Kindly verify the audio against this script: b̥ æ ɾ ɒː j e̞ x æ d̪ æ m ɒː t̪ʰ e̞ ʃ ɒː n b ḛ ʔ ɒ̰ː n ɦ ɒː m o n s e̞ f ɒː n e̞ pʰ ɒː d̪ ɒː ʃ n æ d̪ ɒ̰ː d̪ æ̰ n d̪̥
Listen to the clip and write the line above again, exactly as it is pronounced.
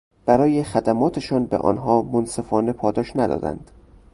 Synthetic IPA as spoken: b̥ æ ɾ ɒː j e̞ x æ d̪ æ m ɒː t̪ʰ e̞ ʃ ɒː n b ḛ ʔ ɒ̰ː n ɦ ɒː m o n s e̞ f ɒː n e̞ pʰ ɒː d̪ ɒː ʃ n æ d̪ ɒ̰ː d̪ æ̰ n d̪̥